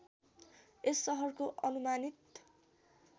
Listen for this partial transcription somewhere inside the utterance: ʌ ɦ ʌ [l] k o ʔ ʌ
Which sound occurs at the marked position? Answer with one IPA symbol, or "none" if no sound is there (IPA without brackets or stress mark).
r